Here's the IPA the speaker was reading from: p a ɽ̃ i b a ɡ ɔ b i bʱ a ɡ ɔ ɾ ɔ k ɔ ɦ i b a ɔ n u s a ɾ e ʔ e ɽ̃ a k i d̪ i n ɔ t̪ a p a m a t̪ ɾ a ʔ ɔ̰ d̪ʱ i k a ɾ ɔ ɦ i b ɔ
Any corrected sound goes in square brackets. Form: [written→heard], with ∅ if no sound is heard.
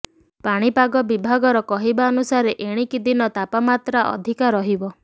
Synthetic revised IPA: p a ɽ̃ i [b→p] a ɡ ɔ b i bʱ a ɡ ɔ ɾ ɔ k ɔ ɦ i b a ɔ n u s a ɾ e ʔ e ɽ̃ [a→i] k i d̪ i n ɔ t̪ a p a m a t̪ ɾ a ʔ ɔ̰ d̪ʱ i k a ɾ ɔ ɦ i b ɔ